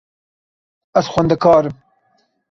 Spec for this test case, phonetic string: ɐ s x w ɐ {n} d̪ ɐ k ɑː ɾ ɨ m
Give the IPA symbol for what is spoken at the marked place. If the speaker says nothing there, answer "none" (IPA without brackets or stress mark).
n